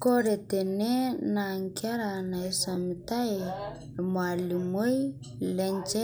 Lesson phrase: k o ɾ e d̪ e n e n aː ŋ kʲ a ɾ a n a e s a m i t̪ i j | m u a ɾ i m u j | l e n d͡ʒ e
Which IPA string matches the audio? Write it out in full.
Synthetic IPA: k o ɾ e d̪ e n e n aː ŋ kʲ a ɾ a n a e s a m i t̪ a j | m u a l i m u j | l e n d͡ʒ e